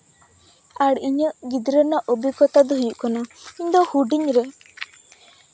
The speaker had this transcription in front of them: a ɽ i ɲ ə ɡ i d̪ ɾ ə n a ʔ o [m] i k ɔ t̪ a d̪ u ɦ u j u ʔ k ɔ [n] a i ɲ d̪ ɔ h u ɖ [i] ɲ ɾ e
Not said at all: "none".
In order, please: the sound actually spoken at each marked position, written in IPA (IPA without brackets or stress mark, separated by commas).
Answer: b, n, i